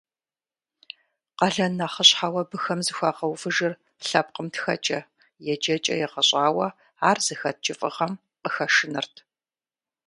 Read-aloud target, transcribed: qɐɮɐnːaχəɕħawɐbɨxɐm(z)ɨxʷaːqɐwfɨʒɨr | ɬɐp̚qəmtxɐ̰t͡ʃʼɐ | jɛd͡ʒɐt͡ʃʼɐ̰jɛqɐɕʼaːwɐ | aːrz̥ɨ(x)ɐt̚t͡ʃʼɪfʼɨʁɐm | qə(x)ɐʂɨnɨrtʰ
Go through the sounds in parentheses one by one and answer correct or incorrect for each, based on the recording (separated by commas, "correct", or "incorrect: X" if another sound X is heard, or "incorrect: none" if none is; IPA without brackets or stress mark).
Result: correct, correct, correct